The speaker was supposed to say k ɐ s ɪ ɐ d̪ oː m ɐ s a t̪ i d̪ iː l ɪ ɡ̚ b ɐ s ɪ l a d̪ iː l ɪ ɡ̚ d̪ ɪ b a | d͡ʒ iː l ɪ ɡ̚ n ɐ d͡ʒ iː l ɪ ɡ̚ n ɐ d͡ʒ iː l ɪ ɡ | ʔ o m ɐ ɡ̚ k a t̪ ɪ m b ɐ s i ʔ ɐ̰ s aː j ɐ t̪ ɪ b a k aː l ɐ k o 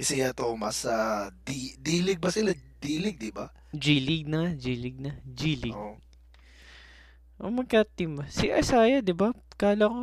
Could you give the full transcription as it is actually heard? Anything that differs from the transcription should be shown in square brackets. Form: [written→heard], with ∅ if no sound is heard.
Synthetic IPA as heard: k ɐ s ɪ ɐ [d̪→t̪] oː m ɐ s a [t̪→d̪] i d̪ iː l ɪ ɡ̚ b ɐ s ɪ l a d̪ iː l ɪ ɡ̚ d̪ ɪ b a | d͡ʒ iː l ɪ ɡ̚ n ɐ d͡ʒ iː l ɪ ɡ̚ n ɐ d͡ʒ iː l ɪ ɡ | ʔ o m ɐ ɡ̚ k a t̪ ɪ m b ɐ s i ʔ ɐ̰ s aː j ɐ [t̪→d̪] ɪ b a k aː l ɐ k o